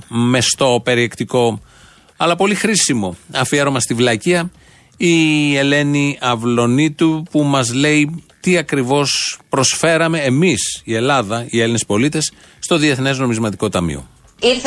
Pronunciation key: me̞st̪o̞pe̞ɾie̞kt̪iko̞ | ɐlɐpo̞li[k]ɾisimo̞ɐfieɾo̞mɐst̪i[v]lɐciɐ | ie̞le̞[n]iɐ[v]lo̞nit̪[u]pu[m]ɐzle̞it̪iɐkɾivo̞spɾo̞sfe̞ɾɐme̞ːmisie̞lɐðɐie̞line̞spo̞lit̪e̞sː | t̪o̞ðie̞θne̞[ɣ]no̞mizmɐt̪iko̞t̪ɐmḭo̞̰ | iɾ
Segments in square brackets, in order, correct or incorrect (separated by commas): incorrect, correct, correct, correct, correct, correct, incorrect